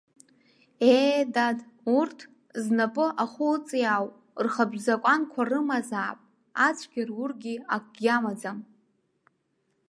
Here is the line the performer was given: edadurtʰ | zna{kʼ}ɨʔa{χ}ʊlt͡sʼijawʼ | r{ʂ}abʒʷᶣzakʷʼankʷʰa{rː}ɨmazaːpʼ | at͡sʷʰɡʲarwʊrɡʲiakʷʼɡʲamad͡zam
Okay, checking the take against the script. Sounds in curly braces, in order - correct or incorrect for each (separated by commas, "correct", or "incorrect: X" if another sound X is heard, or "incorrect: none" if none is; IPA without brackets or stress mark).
incorrect: pʼ, correct, incorrect: χ, incorrect: r